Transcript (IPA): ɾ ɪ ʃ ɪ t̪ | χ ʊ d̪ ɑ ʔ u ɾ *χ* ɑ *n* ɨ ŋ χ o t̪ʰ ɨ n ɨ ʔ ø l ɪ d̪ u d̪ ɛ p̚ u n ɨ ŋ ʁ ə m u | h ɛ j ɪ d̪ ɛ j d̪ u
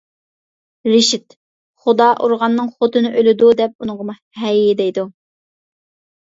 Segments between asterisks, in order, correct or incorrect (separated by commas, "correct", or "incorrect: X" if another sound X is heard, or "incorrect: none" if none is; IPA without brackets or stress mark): incorrect: ʁ, incorrect: nː